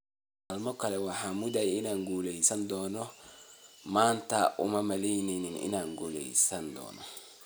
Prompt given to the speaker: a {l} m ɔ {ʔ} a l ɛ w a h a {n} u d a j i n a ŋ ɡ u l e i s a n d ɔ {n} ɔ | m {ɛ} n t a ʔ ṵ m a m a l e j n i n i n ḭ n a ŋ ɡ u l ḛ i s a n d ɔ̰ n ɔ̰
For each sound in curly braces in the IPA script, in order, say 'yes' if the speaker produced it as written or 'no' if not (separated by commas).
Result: yes, no, no, yes, no